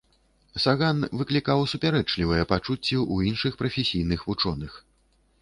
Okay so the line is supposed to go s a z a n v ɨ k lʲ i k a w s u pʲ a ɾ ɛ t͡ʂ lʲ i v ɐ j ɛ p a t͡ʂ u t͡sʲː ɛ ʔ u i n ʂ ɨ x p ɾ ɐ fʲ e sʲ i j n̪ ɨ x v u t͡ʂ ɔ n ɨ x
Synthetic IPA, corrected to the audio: s a ɣ a n v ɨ k lʲ i k a w s u pʲ a ɾ ɛ t͡ʂ lʲ i v ɐ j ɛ p a t͡ʂ u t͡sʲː ɛ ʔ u i n ʂ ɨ x p ɾ ɐ fʲ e sʲ i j n̪ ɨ x v u t͡ʂ ɔ n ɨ x